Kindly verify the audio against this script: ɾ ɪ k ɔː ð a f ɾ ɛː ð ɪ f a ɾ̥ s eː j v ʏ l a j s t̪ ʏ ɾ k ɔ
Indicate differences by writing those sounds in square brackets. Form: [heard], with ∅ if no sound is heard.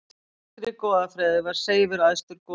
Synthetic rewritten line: ɾ ɪ k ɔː ð a f ɾ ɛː ð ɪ [v] a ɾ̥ s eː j v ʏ [ɾ] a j s t̪ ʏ ɾ k ɔ